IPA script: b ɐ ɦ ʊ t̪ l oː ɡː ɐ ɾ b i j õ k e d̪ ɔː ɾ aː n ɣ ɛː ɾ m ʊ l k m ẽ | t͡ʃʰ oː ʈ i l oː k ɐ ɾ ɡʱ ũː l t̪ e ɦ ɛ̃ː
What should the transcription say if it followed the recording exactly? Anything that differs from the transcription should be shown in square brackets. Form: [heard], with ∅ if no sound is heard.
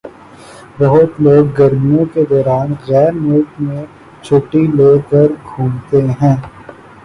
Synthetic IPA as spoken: b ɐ ɦ ʊ t̪ l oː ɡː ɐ ɾ [m] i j õ k e d̪ ɔː ɾ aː n ɣ ɛː ɾ m ʊ l k m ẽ | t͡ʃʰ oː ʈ i l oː k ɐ ɾ ɡʱ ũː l t̪ e ɦ ɛ̃ː

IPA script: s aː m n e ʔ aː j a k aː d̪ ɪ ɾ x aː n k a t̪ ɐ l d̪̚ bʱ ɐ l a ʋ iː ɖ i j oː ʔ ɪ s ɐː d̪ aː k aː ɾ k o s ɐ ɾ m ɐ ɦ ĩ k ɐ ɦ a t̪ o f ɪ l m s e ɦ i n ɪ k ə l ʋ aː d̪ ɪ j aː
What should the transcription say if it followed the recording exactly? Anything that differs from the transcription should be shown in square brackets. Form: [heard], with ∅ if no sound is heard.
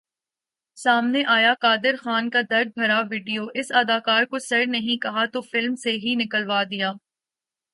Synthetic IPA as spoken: s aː m n e ʔ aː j a k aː d̪ ɪ ɾ x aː n k a [d̪] ɐ [ɾ] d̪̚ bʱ ɐ [ɾ] a ʋ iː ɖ i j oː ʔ ɪ s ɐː d̪ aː k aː ɾ k o s ɐ ɾ [n] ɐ ɦ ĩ k ɐ ɦ a t̪ o f ɪ l m s e ɦ i n ɪ k ə l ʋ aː d̪ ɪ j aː

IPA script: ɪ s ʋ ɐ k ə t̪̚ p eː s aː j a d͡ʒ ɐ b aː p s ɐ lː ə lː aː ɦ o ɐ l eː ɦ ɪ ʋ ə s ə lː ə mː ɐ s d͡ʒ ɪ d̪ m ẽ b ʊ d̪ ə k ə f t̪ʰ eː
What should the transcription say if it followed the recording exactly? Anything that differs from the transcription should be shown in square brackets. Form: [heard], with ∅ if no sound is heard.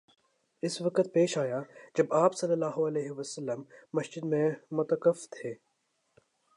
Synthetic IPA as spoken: ɪ s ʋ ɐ k ə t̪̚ p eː [ʃ] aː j a d͡ʒ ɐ b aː p s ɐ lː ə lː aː ɦ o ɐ l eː ɦ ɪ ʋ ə s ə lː ə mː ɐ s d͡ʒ ɪ d̪ m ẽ [m] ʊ [t̪] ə k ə f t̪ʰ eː

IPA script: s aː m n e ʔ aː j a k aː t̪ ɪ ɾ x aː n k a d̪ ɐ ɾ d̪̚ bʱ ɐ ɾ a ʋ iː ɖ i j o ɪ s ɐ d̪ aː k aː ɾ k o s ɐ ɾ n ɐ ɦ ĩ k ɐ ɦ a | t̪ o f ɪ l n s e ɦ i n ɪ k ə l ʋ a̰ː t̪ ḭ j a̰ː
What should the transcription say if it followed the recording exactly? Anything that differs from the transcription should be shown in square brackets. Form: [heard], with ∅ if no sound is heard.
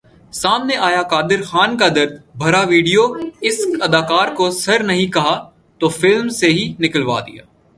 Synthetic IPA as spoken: s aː m n e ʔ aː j a k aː [d̪] ɪ ɾ x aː n k a d̪ ɐ ɾ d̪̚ bʱ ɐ ɾ a ʋ iː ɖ i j o ɪ s ɐ d̪ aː k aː ɾ k o s ɐ ɾ n ɐ ɦ ĩ k ɐ ɦ a | t̪ o f ɪ l [m] s e ɦ i n ɪ k ə l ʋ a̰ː [d̪] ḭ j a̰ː

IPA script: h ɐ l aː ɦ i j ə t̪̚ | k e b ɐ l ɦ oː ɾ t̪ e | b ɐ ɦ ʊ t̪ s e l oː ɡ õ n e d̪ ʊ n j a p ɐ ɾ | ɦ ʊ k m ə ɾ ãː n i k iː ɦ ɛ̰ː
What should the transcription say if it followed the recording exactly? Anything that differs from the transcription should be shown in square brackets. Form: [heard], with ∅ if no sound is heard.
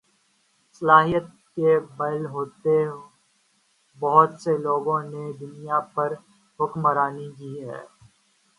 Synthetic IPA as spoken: [s] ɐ l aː ɦ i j ə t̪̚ | k e b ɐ l ɦ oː [∅] t̪ e | b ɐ ɦ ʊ t̪ s e l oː ɡ õ n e d̪ ʊ n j a p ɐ ɾ | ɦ ʊ k m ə ɾ [aː] n i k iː ɦ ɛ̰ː

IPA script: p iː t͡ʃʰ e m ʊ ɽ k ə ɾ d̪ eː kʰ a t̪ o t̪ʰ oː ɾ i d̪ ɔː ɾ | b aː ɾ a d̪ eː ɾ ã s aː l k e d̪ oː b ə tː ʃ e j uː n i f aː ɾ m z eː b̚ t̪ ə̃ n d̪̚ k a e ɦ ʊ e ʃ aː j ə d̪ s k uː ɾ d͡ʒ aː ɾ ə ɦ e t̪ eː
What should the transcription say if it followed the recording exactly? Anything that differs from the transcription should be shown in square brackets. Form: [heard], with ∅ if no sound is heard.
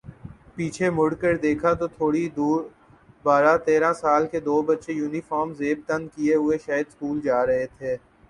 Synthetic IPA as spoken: p iː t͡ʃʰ e m ʊ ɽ k ə ɾ d̪ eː kʰ a t̪ o t̪ʰ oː [ɽ] i d̪ [uː] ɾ | b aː ɾ a [t̪] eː ɾ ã s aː l k e d̪ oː b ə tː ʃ e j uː n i f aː ɾ m z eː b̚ t̪ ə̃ n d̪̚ k [i] e ɦ ʊ e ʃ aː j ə d̪ s k uː [l] d͡ʒ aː ɾ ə ɦ e [t̪ʰ] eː

